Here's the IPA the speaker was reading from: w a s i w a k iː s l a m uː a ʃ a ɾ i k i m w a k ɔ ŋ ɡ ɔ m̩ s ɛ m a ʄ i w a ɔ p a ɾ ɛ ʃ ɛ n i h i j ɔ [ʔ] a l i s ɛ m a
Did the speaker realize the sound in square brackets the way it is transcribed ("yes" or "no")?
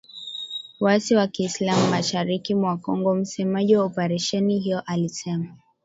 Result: yes